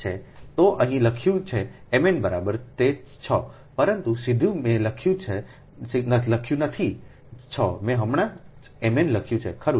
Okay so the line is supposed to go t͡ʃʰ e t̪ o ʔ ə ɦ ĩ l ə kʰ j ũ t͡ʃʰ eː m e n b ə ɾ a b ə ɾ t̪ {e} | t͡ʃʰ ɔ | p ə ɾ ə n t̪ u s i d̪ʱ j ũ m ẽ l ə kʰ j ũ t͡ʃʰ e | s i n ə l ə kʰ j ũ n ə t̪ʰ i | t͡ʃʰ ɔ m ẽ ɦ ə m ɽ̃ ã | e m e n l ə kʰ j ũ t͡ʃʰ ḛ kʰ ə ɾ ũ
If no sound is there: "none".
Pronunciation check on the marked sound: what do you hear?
e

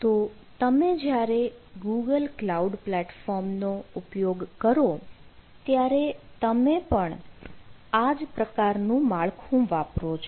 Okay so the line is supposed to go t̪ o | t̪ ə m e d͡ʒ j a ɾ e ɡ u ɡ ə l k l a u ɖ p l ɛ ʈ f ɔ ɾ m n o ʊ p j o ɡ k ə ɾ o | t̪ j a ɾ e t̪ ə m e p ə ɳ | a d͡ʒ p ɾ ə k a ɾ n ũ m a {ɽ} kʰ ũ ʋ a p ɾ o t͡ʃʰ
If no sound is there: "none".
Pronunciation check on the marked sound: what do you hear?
ɭ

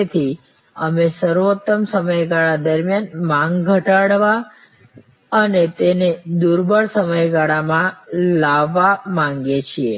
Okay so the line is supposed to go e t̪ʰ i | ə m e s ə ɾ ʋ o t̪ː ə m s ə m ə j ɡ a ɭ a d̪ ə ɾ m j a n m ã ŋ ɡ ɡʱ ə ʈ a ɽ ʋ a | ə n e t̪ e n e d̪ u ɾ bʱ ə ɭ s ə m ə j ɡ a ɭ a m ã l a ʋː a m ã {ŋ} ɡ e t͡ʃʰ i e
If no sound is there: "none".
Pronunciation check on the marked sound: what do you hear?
ŋ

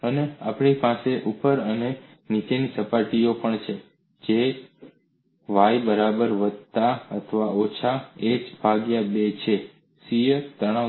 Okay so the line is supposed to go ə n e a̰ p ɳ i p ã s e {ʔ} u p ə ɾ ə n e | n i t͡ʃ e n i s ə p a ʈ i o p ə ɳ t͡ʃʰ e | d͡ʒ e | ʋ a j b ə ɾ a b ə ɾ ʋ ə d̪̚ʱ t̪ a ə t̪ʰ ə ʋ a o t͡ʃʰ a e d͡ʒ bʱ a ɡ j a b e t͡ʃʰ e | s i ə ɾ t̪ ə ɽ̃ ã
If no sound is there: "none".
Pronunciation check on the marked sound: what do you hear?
ʔ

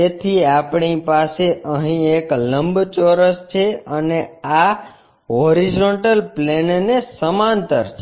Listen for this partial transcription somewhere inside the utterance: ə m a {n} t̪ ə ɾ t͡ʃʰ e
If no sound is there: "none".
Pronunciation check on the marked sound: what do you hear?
n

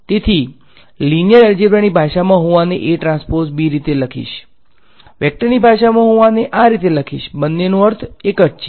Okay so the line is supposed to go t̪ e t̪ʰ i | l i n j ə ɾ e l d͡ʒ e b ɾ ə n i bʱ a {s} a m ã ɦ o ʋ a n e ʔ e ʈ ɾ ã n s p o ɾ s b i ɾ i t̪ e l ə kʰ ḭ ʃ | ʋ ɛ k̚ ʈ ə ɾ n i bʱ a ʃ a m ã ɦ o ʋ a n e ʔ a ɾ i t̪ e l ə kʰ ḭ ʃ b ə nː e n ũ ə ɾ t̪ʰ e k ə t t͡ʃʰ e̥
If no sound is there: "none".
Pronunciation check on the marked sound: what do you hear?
ʃ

